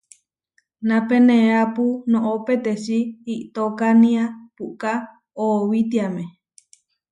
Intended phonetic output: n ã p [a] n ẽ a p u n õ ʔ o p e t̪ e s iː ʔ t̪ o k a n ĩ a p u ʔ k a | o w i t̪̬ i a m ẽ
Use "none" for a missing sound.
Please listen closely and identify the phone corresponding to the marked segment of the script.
e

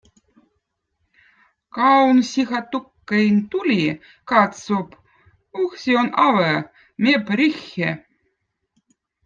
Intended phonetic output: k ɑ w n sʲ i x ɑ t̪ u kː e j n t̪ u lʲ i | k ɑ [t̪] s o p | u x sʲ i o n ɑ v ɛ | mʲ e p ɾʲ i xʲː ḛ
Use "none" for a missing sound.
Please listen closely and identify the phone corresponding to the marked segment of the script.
t̪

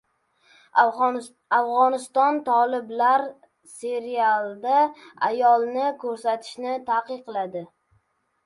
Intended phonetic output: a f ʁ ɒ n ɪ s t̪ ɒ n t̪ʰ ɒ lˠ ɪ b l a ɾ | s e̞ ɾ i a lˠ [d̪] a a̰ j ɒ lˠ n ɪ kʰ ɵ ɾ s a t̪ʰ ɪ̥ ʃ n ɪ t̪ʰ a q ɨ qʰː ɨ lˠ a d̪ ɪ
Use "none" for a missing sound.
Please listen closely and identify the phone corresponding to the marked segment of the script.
d̪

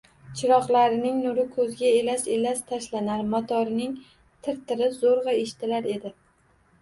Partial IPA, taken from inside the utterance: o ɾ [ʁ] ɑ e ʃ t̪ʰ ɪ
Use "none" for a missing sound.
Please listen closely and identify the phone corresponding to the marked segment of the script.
ʁ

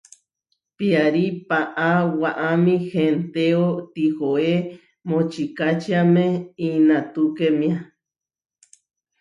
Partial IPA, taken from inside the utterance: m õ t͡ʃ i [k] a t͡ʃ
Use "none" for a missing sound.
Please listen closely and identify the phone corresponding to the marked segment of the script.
k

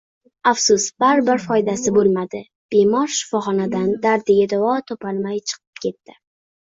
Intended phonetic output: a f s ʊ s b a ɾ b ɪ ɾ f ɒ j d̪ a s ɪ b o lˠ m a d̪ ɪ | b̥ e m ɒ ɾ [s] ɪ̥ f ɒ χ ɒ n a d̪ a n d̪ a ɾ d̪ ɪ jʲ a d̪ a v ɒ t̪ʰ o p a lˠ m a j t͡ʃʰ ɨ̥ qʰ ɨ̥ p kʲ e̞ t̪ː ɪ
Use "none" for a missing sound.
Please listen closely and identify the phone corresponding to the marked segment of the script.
ʃ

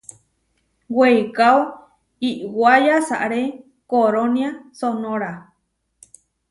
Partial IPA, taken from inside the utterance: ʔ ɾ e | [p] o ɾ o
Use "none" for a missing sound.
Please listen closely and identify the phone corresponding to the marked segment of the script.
k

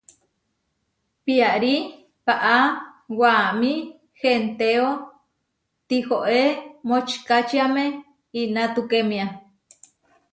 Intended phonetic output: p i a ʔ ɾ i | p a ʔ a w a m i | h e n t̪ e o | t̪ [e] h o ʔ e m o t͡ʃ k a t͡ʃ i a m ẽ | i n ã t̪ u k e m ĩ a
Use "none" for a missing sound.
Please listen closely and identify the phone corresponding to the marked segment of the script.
i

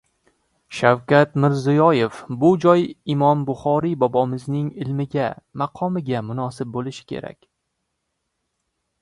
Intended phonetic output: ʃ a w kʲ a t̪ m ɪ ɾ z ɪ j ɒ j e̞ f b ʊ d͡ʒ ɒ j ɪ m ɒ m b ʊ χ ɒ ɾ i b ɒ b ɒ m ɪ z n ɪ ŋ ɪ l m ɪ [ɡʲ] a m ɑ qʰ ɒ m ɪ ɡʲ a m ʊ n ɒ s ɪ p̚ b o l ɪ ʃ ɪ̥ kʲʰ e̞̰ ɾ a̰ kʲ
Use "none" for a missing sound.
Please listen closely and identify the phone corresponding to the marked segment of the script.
ɡʲ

